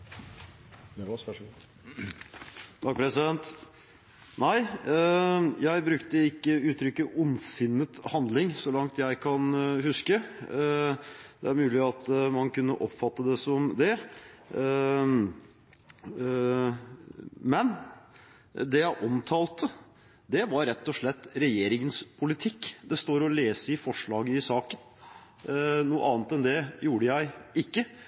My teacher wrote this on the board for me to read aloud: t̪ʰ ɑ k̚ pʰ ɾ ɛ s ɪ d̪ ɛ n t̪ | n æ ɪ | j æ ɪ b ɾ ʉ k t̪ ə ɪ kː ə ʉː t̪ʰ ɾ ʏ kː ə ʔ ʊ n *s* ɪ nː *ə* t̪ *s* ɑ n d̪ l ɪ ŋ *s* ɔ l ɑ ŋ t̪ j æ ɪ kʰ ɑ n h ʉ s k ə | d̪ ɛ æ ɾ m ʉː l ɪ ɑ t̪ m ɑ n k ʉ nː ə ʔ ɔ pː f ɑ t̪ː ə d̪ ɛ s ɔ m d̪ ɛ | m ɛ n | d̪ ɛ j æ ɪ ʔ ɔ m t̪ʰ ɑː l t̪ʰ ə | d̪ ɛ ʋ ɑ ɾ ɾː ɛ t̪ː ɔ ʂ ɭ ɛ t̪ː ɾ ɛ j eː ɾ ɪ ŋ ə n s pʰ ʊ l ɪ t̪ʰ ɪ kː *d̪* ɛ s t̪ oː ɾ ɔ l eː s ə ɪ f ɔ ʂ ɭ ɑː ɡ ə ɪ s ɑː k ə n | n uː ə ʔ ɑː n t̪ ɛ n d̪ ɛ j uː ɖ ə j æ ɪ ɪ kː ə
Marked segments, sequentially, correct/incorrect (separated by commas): correct, correct, incorrect, correct, correct